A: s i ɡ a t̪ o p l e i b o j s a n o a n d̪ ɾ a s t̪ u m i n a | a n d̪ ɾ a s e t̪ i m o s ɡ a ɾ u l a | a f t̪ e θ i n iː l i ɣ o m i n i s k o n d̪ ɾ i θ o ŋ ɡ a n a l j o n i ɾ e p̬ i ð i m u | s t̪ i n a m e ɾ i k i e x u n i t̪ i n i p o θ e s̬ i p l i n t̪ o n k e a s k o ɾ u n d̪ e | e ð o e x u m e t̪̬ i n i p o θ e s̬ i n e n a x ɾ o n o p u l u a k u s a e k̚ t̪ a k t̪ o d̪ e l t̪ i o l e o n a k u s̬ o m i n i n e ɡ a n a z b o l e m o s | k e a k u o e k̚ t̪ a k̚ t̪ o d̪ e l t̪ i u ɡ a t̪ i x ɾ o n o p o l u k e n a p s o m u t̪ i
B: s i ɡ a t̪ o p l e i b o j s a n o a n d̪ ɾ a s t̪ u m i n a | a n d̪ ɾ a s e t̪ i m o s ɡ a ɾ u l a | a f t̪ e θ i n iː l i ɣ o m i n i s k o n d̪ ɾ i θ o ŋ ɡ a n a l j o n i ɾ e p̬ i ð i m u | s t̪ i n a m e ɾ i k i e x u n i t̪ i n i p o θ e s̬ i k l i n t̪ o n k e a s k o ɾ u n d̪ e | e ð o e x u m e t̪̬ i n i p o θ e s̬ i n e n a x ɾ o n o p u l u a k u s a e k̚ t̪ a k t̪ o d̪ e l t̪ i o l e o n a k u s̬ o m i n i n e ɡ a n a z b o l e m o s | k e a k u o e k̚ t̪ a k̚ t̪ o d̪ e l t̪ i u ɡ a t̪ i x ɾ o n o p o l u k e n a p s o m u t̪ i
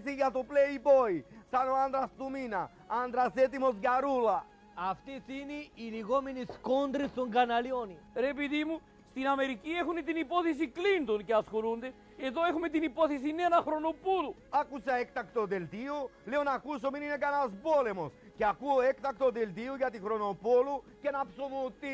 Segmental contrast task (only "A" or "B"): B